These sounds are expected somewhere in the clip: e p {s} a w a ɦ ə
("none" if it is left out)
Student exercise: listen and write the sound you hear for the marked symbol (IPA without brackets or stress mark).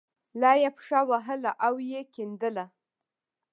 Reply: ʂ